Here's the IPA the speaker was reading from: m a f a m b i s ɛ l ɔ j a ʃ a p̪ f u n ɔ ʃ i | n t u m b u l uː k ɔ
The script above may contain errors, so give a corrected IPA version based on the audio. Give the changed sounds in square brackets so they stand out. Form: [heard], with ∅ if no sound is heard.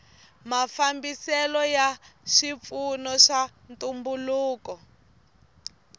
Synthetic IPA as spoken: m a f a m b i s ɛ l ɔ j a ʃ [i] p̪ f u n ɔ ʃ [a] | n t u m b u l uː k ɔ